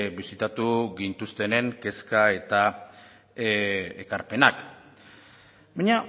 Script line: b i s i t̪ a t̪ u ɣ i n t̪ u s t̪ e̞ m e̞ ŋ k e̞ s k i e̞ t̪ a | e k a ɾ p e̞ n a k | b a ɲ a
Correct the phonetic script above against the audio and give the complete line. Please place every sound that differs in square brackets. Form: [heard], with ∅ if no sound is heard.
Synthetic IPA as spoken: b i s i t̪ a t̪ u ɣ i n t̪ u s t̪ e̞ [n] e̞ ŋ k e̞ s k [a] e̞ t̪ a | e k a ɾ p e̞ n a k | b a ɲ a

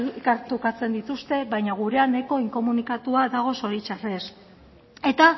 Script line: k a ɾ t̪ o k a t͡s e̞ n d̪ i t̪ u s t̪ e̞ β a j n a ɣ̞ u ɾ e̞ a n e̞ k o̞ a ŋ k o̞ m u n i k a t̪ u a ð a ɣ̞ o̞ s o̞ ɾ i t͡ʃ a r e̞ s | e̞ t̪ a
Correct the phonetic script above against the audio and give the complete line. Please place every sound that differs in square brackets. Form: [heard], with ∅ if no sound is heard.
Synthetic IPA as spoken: k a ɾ t̪ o k a t͡s e̞ n d̪ i t̪ u s t̪ e̞ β a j [ɲ] a ɣ̞ u ɾ e̞ a n e̞ k o̞ [i] ŋ k o̞ m u n i k a t̪ u a ð a ɣ̞ o̞ s o̞ ɾ i t͡ʃ a r e̞ s | e̞ t̪ a

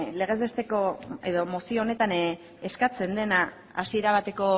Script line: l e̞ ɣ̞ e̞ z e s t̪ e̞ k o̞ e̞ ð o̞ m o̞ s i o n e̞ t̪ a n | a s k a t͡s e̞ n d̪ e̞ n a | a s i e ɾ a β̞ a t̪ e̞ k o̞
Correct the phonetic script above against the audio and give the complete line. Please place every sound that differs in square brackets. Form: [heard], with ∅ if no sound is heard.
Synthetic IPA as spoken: l e̞ ɣ̞ e̞ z e s t̪ e̞ k o̞ e̞ ð o̞ m o̞ s i o n e̞ t̪ a n | [e] s k a t͡s e̞ n d̪ e̞ n a | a s i e ɾ a β̞ a t̪ e̞ k o̞

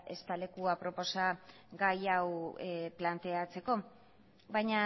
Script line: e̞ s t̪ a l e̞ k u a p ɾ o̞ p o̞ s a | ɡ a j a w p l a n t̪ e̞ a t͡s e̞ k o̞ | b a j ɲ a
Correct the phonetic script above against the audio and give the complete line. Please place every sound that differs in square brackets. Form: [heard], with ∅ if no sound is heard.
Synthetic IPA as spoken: e̞ s t̪ a l e̞ k u a p ɾ o̞ p o̞ s a | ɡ a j a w p l a n t̪ e̞ a t͡s e̞ k o̞ | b a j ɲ a

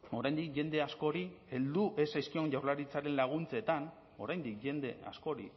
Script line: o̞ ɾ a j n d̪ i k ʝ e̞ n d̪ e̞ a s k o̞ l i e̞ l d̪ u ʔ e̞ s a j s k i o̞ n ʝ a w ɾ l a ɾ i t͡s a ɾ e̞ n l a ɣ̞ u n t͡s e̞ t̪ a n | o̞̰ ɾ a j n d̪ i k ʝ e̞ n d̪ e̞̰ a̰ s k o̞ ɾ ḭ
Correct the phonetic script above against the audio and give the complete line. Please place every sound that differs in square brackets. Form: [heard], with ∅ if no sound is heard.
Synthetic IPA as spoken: o̞ ɾ a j n d̪ i k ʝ e̞ n d̪ e̞ a s k o̞ [ɾ] i e̞ l d̪ u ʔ e̞ s a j s k i o̞ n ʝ a w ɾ l a ɾ i t͡s a ɾ e̞ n l a ɣ̞ u n t͡s e̞ t̪ a n | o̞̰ ɾ a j n d̪ i k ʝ e̞ n d̪ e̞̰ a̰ s k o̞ ɾ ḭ

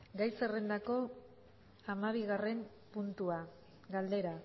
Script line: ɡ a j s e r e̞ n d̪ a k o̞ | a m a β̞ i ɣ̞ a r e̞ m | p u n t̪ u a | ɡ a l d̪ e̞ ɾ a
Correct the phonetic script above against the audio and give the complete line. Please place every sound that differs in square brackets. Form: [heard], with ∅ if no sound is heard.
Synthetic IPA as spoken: ɡ a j s e r e̞ n d̪ a k o̞ | a m a β̞ i ɣ̞ a r e̞ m | p u n t̪ u a | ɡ a l d̪ e̞ ɾ a

